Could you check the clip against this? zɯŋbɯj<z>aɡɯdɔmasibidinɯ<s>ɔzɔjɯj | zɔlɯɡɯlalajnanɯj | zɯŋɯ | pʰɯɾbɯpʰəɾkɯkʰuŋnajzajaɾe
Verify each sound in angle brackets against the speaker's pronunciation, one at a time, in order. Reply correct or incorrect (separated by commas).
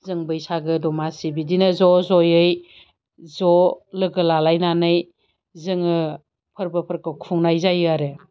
incorrect, incorrect